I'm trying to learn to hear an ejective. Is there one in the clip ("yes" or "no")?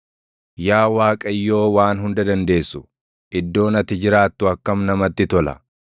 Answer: yes